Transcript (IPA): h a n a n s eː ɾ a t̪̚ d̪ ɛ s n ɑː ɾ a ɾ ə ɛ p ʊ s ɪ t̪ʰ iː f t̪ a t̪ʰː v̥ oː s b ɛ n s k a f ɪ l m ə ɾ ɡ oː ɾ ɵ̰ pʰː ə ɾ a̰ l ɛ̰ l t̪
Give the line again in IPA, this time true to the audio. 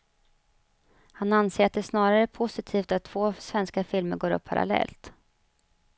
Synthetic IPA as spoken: h a n a n s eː ɾ a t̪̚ d̪ ɛ s n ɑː ɾ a ɾ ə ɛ pʰ ʊ s ɪ t̪ʰ iː f t̪ a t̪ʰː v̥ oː s v ɛ n s k a f ɪ l m ə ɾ ɡ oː ɾ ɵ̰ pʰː a ɾ a̰ l ɛ̰ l t̪